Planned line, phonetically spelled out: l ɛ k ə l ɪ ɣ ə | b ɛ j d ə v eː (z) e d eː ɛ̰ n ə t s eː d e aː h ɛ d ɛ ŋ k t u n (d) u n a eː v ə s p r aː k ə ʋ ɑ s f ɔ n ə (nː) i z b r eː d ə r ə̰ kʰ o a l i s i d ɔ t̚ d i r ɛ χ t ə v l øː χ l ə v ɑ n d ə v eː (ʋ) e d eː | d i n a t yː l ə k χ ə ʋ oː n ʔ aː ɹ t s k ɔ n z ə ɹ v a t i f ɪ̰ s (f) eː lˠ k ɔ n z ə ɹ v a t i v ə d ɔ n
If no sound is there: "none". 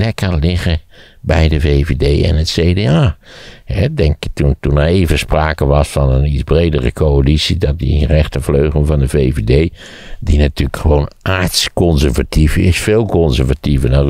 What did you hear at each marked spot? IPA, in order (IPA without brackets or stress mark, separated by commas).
v, t, n, v, f